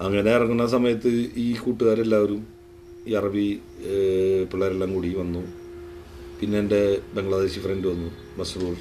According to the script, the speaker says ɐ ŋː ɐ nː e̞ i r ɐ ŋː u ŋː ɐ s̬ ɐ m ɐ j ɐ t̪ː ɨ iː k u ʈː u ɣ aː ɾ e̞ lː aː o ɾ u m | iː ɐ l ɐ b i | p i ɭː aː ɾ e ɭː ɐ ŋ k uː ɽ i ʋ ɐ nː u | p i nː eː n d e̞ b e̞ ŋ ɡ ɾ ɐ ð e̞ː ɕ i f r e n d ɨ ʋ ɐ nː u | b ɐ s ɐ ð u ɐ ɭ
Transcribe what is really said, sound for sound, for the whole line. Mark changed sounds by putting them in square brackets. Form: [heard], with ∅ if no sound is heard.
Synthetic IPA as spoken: ɐ ŋː ɐ [n] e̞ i r ɐ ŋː u [nː] ɐ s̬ ɐ m ɐ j ɐ t̪ː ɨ iː k [uː] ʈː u ɣ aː ɾ e̞ lː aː o ɾ u m | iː ɐ [r] ɐ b i | p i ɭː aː ɾ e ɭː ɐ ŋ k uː ɽ i ʋ ɐ nː u | p i nː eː n d e̞ b e̞ ŋ ɡ [ɭ] ɐ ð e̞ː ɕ i f r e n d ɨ ʋ ɐ nː u | b ɐ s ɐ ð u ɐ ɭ